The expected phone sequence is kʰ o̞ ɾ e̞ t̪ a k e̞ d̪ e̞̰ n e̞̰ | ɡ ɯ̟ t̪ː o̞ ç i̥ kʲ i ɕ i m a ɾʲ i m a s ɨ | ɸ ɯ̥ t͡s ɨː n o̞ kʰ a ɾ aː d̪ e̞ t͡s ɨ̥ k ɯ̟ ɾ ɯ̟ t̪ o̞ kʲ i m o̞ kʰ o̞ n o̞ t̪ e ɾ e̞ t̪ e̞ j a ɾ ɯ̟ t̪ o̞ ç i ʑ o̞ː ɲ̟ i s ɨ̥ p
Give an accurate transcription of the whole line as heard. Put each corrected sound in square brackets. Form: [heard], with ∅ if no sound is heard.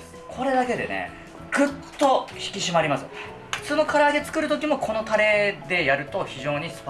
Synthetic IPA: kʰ o̞ ɾ e̞ [d̪] a k e̞ d̪ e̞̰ n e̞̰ | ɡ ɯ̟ t̪ː o̞ ç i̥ kʲ i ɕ i m a ɾʲ i m a s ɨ | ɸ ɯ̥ t͡s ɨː n o̞ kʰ a ɾ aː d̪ e̞ t͡s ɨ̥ k ɯ̟ ɾ ɯ̟ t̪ o̞ kʲ i m o̞ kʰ o̞ n o̞ t̪ [a] ɾ e̞ [d̪] e̞ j a ɾ ɯ̟ t̪ o̞ ç i ʑ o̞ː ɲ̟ i s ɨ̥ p